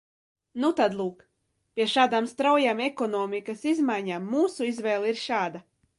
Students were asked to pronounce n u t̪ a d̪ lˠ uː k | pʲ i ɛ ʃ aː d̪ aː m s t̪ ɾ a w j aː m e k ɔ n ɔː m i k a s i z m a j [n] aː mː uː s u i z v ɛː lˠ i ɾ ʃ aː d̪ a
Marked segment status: incorrect: ɲ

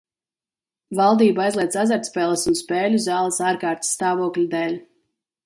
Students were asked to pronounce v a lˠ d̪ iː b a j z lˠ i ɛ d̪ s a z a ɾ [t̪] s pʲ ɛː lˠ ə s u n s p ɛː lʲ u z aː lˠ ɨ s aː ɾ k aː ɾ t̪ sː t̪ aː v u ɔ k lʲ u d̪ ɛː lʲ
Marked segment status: correct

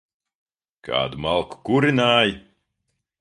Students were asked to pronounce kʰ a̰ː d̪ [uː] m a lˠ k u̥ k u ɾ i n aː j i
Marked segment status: incorrect: u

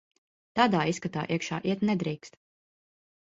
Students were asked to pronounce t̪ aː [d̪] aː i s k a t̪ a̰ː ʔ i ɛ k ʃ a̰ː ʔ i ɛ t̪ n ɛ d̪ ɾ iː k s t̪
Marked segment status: correct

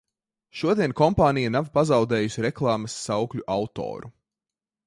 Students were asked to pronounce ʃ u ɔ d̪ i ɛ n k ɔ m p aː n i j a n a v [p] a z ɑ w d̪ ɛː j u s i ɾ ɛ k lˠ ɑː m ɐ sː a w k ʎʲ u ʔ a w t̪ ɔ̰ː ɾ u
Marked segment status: correct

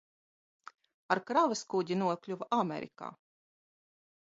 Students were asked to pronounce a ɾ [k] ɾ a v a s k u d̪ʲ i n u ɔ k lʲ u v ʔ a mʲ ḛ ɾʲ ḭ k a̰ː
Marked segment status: correct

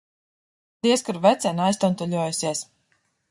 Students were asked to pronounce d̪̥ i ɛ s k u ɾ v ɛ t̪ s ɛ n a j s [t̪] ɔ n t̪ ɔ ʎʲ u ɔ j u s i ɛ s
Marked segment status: correct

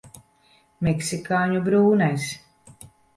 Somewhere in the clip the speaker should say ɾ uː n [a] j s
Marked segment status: correct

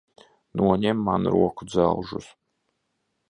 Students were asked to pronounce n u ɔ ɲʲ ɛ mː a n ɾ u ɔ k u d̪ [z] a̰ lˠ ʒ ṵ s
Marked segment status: correct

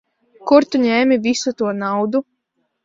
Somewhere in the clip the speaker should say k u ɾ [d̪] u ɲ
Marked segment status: incorrect: t̪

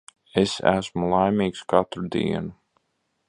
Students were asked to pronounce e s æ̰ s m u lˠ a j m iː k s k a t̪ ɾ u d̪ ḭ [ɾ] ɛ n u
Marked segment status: incorrect: none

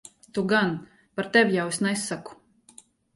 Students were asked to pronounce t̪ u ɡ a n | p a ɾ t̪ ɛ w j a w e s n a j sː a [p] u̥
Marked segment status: incorrect: k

